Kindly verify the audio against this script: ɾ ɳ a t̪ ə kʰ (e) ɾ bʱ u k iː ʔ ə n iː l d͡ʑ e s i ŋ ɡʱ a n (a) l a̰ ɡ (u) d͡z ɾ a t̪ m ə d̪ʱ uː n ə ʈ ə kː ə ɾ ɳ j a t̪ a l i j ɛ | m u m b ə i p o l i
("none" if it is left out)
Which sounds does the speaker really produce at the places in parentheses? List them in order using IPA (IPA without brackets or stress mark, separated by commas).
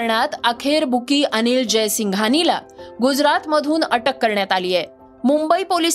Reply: e, i, u